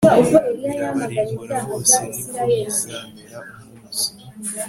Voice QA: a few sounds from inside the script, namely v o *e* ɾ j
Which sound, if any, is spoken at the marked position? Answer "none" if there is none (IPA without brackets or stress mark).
e